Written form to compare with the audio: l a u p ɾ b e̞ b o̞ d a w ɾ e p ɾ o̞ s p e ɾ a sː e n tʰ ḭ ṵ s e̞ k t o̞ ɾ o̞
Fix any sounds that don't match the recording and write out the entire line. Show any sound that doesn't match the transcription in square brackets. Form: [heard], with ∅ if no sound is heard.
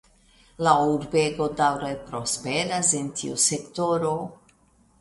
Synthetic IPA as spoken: l a u [∅] ɾ b e̞ [ɡ] o̞ d a w ɾ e p ɾ o̞ s p e ɾ a [s] e n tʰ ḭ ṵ s e̞ k t o̞ ɾ o̞

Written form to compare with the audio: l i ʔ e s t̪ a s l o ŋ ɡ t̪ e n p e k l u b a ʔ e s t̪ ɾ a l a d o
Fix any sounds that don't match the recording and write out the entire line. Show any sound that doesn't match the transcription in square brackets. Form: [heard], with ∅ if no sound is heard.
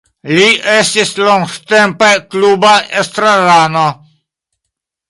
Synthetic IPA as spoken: l i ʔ e s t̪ [i] s l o ŋ ɡ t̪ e [m] p e k l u b a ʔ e s t̪ ɾ a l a [n] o

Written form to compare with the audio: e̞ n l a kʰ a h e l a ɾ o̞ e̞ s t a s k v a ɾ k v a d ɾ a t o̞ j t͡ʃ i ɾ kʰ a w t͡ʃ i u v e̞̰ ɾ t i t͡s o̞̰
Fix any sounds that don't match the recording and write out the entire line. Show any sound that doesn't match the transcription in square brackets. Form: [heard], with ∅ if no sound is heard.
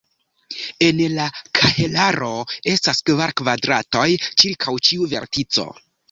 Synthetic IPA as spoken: e̞ n l a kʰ a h e l a ɾ o̞ e̞ s t a s k v a ɾ k v a d ɾ a t o̞ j t͡ʃ i ɾ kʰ a w t͡ʃ i u v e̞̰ ɾ t i t͡s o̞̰

